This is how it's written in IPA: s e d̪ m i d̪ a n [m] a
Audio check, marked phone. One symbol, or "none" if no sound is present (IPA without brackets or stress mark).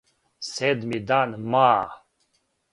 m